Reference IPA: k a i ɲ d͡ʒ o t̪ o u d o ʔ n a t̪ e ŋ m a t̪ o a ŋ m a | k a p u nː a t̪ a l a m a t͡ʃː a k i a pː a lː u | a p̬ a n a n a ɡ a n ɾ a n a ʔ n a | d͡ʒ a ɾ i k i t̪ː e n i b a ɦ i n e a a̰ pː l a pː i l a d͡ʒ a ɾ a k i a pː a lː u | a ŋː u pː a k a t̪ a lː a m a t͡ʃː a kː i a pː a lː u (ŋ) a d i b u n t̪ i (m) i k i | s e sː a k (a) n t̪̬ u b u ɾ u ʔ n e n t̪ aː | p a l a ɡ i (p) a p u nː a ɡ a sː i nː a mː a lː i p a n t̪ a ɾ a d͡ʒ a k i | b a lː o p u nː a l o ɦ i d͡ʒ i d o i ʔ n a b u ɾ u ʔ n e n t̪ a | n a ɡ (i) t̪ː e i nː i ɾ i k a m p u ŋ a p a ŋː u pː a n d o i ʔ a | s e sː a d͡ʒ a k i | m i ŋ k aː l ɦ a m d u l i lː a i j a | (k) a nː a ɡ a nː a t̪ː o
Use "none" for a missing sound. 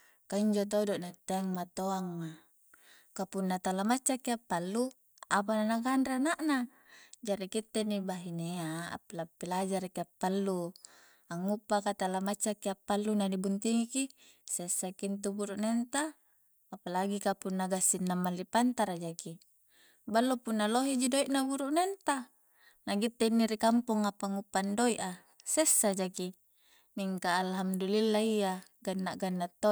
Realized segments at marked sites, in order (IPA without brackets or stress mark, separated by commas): n, ŋ, i, k, i, ɡ